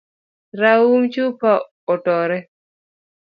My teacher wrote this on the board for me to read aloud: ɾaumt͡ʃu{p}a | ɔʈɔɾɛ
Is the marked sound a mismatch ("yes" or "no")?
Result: no